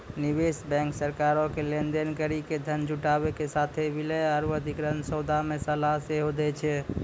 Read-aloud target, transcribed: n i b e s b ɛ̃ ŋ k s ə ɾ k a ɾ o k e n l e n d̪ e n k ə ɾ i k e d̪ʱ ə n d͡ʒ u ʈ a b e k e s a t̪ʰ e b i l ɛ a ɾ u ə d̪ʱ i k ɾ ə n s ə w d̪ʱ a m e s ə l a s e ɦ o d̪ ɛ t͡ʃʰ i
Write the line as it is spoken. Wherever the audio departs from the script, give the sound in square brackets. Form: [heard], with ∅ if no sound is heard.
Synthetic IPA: n i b e s b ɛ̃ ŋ k s ə ɾ k a ɾ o k e [∅] l e n d̪ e n k ə ɾ i k e d̪ʱ ə n d͡ʒ u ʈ a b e k e s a t̪ʰ e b i l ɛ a ɾ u ə d̪ʱ i k ɾ ə n s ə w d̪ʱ a m e s ə l a s e ɦ o d̪ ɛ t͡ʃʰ [ɛ]